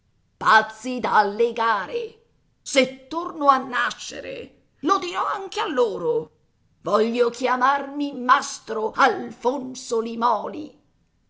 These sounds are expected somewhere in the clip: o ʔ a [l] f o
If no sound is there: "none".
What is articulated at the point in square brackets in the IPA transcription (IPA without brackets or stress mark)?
l